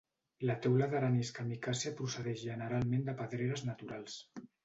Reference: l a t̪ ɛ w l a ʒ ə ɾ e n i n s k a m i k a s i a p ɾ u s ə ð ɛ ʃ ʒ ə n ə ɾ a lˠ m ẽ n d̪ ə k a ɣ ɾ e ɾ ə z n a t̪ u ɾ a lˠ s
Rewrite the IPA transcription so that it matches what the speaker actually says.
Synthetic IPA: l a t̪ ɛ w l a ð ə ɾ a n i s k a m i k a s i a p ɾ u s ə ð ɛ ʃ ʒ ə n ə ɾ a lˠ m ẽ n d̪ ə p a ð ɾ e ɾ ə z n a t̪ u ɾ a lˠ s